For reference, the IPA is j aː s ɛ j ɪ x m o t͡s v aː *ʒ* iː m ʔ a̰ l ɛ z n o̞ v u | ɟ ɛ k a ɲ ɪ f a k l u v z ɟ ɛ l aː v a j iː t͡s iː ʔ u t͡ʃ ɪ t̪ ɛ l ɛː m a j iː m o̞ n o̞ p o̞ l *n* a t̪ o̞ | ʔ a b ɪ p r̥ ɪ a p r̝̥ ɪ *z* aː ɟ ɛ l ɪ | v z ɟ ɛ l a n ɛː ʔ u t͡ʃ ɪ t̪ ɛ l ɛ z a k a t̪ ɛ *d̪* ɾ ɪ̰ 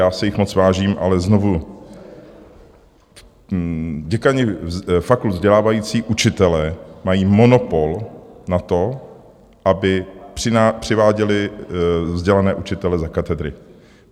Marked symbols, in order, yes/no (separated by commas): yes, yes, no, yes